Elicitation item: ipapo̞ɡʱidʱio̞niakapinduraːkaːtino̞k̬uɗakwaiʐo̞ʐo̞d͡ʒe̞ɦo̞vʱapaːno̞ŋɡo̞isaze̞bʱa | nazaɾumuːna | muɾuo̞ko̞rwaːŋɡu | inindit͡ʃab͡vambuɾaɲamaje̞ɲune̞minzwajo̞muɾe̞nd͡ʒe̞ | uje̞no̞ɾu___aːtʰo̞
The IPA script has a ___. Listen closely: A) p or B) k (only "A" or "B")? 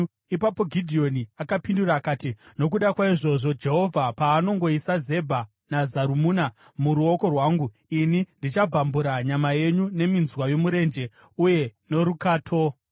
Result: B